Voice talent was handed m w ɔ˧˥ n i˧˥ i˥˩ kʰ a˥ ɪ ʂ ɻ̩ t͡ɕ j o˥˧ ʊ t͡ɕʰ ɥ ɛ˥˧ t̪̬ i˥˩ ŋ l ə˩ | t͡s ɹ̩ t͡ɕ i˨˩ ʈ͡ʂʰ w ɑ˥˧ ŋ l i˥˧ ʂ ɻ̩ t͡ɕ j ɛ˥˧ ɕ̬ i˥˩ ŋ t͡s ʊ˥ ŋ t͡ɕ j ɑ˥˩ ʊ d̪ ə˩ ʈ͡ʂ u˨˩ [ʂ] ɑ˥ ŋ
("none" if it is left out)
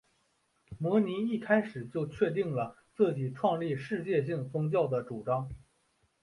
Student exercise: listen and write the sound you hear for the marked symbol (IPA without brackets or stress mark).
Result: ʈ͡ʂ